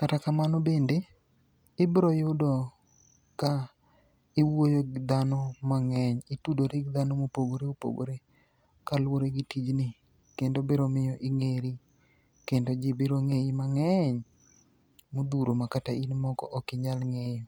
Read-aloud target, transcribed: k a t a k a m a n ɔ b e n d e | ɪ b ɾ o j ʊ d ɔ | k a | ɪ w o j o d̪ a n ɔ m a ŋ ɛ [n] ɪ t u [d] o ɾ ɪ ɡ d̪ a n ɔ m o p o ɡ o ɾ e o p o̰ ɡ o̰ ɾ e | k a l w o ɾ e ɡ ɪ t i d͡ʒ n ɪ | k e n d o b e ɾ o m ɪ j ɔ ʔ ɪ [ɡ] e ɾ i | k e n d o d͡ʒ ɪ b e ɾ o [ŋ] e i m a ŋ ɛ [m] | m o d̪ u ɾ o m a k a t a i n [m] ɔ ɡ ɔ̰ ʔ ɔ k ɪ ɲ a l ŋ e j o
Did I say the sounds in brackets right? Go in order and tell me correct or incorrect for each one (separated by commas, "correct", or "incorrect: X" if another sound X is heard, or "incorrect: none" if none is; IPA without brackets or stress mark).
incorrect: ɲ, correct, incorrect: ŋ, correct, incorrect: ɲ, correct